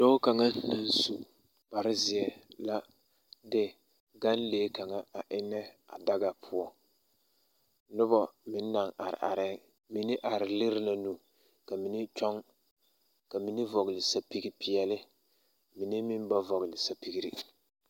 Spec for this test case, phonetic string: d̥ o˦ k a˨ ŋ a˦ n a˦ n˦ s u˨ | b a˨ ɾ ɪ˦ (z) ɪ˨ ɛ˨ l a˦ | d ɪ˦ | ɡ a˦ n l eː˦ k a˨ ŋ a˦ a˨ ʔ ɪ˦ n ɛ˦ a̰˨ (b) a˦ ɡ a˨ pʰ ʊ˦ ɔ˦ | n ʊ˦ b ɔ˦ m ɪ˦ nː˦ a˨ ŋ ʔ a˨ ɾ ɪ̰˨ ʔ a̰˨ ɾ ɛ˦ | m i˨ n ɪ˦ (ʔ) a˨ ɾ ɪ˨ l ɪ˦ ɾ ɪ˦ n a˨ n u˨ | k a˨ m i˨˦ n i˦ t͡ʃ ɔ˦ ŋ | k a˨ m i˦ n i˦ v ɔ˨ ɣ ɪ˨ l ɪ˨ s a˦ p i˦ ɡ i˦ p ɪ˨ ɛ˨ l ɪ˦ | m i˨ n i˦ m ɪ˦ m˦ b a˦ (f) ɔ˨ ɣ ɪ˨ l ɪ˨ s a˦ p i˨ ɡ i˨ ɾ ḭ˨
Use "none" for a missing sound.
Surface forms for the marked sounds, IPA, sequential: z, d, ʔ, v

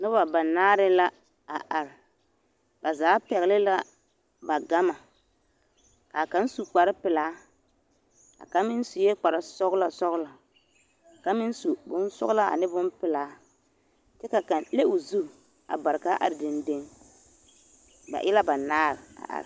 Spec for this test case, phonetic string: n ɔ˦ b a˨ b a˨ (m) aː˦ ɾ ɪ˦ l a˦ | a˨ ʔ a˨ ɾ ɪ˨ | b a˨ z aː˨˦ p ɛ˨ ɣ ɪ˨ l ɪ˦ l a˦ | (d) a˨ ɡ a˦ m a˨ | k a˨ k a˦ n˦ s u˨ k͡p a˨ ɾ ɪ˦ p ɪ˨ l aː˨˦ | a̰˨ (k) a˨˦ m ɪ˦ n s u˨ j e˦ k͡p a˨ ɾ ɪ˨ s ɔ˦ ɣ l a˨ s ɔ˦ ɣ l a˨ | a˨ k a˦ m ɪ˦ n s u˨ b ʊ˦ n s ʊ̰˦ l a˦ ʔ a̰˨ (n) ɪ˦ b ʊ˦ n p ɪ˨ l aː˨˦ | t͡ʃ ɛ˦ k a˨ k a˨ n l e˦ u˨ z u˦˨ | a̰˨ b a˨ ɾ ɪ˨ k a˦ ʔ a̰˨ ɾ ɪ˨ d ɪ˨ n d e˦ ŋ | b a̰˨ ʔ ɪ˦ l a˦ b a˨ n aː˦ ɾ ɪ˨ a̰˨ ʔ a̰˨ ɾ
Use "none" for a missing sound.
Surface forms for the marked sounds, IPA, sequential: n, b, k, n

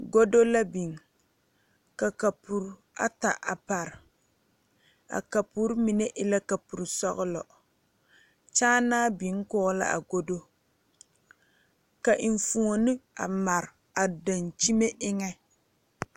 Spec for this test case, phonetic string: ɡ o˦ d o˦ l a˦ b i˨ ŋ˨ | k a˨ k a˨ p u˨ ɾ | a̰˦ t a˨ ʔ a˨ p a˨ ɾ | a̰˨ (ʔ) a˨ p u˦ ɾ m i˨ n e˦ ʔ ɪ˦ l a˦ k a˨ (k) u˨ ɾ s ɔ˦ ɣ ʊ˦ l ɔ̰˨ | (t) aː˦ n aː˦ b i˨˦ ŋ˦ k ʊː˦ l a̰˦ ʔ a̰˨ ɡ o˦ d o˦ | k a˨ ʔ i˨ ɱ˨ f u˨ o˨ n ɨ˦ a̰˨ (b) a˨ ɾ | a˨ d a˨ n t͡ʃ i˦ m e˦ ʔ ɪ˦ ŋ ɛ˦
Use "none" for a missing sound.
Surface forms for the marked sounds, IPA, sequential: k, p, t͡ʃ, m

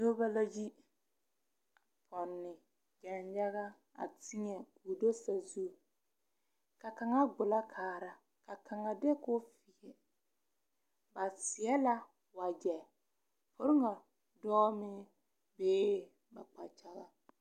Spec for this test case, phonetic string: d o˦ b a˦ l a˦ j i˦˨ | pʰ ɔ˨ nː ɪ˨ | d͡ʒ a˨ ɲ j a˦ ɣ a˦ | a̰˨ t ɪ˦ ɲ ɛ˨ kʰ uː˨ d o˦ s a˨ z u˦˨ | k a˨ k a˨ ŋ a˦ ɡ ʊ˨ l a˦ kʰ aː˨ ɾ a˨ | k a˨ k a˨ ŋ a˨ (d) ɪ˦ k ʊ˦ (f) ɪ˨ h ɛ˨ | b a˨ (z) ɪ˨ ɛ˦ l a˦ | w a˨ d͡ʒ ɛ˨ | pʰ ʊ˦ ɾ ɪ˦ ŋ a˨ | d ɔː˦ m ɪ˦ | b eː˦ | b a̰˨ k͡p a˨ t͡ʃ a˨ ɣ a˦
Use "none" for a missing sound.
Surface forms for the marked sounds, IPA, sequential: d, f, s

